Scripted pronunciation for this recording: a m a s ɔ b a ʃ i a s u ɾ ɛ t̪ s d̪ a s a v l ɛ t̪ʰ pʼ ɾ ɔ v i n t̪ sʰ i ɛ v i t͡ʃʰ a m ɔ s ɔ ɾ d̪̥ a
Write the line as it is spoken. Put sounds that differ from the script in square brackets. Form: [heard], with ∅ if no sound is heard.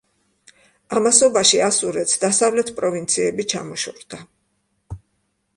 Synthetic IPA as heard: a m a s ɔ b a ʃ i a s u ɾ ɛ t̪ s d̪ a s a v l ɛ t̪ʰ pʼ ɾ ɔ v i n t̪ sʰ i ɛ [b] i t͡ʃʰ a m ɔ [ʃ] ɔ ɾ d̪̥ a